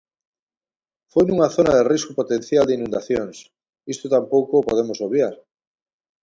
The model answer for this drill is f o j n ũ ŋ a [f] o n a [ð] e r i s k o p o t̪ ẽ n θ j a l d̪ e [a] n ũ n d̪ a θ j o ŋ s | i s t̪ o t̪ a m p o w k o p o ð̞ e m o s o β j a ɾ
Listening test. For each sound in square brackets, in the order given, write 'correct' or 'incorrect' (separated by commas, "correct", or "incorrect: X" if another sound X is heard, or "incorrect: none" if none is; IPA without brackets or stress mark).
incorrect: θ, correct, incorrect: i